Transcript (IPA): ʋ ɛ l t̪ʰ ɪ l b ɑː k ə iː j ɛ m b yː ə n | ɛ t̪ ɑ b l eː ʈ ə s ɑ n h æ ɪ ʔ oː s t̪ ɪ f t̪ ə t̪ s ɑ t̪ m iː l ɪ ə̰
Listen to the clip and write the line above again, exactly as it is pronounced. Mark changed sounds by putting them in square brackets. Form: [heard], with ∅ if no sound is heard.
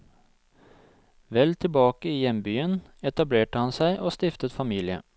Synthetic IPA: ʋ ɛ l t̪ʰ ɪ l b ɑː k ə iː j ɛ m b yː ə n | ɛ t̪ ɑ b l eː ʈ ə [h] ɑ n [s] æ ɪ ʔ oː s t̪ ɪ f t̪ ə t̪ [f] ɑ [∅] m iː l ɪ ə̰